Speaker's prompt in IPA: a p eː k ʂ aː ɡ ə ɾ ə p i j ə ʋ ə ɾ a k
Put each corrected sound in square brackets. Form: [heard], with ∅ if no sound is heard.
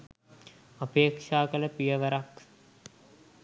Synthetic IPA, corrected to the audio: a p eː k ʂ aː [k] ə [l] ə p i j ə ʋ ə ɾ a k